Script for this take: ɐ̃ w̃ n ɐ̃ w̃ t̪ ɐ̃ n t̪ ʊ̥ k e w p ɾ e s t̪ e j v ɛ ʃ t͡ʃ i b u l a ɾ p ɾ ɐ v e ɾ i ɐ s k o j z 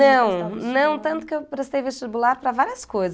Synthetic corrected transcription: ɐ̃ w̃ n ɐ̃ w̃ t̪ ɐ̃ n t̪ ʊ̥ k e w p ɾ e s t̪ e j v e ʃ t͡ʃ i b u l a ɾ p ɾ ɐ v a ɾ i ɐ s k o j z